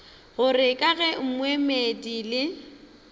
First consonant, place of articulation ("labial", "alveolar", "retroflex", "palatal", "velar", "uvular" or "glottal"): velar